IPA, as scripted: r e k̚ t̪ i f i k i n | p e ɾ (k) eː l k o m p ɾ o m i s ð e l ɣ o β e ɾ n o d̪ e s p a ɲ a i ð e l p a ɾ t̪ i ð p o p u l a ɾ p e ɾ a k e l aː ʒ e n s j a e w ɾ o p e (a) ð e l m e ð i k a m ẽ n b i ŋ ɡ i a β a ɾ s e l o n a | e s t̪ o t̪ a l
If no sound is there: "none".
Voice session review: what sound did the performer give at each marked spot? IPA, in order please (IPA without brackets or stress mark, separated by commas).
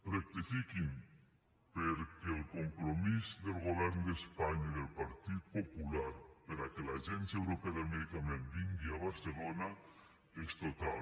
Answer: k, a